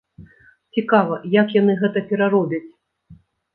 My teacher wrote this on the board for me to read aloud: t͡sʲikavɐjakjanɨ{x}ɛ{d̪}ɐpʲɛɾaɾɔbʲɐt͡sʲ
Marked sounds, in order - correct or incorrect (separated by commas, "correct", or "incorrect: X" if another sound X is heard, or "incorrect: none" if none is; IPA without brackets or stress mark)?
incorrect: ɣ, incorrect: t̪